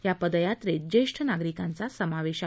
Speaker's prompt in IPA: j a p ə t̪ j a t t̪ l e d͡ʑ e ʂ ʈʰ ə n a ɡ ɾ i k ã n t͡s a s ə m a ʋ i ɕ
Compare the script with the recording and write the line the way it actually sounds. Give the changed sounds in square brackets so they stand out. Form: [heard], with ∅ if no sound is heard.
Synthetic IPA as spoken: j a p ə [d̪] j a t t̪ [ɾ] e d͡ʑ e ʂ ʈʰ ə n a ɡ ɾ i k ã n t͡s a s ə m a ʋ [e] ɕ